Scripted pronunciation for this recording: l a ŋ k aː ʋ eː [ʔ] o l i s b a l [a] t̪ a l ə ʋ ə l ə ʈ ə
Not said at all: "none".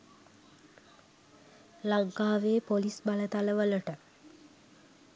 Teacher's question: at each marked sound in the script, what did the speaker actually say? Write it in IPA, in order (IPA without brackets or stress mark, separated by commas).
p, ə